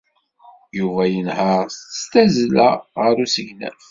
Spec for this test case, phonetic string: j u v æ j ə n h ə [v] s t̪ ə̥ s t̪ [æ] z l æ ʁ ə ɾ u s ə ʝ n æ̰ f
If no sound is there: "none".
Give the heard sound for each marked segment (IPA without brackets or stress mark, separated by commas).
ʁ, æ